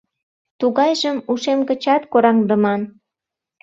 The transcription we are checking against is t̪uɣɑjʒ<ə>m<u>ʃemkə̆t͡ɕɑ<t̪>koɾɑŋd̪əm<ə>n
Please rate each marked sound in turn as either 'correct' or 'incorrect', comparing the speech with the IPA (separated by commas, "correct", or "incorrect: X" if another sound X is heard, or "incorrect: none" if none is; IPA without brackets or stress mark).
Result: correct, correct, correct, incorrect: ɑ